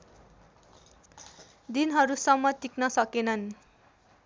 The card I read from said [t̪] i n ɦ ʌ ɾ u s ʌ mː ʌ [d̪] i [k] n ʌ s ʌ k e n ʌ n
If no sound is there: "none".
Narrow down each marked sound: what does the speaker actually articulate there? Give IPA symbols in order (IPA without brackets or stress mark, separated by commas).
d̪, t̪, k